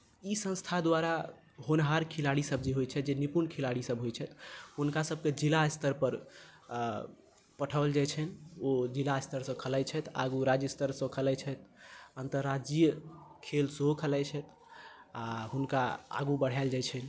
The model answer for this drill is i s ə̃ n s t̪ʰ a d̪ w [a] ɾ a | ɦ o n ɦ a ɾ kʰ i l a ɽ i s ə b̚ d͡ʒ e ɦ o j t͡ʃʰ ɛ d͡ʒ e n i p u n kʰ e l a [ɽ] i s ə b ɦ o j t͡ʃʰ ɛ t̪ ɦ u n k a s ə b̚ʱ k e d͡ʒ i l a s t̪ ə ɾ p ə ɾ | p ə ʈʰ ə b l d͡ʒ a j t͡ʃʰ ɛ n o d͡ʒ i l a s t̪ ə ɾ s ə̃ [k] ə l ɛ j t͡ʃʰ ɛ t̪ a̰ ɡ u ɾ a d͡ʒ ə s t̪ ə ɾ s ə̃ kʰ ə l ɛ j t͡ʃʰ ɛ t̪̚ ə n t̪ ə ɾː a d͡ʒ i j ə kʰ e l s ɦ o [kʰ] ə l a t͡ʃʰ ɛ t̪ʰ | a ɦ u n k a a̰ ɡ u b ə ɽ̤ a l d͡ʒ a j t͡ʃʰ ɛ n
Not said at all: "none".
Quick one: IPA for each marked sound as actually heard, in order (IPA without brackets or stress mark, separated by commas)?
a, ɽ, kʰ, kʰ